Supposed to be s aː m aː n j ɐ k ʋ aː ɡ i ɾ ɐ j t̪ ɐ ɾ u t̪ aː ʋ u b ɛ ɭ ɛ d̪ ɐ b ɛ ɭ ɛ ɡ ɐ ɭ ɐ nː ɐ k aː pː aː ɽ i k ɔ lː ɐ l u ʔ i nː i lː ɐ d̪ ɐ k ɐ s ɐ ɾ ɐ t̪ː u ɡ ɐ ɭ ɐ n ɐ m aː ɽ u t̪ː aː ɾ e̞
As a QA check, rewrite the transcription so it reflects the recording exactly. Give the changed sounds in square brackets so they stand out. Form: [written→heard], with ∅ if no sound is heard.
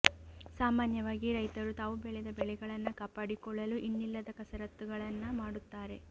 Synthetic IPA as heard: s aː m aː n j ɐ [k→∅] ʋ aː ɡ i ɾ ɐ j t̪ ɐ ɾ u t̪ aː ʋ u b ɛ ɭ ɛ d̪ ɐ b ɛ ɭ ɛ ɡ ɐ ɭ ɐ nː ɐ k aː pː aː ɽ i k ɔ [lː→ɭː] ɐ l u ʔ i nː i lː ɐ d̪ ɐ k ɐ s ɐ ɾ ɐ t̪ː u ɡ ɐ ɭ ɐ [n→nː] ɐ m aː ɽ u t̪ː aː ɾ e̞